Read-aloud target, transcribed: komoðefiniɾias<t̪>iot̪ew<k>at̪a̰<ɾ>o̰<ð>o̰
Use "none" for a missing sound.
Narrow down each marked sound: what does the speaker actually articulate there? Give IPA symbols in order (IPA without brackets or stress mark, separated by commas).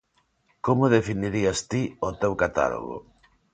t̪, k, l, ɣ